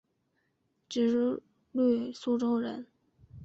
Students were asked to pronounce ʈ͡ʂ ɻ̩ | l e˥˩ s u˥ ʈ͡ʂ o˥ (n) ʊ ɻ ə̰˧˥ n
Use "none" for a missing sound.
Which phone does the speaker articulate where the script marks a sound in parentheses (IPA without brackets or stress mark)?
none